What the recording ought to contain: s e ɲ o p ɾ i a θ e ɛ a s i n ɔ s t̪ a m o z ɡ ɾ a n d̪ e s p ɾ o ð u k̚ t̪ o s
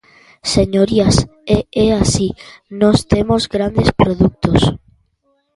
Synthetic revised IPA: s e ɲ o ɾ i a s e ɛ a s i n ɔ s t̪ e m o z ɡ ɾ a n d̪ e s p ɾ o ð u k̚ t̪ o s